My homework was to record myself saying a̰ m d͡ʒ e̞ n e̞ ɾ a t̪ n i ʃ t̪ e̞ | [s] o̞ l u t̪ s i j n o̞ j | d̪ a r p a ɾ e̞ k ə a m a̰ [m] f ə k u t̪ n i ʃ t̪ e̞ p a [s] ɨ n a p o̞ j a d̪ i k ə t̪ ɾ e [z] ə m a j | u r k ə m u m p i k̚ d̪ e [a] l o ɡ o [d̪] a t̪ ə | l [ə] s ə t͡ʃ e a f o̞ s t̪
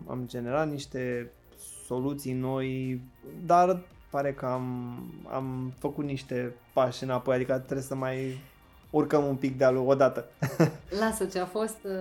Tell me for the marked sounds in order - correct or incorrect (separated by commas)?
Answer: correct, correct, incorrect, incorrect, correct, correct, incorrect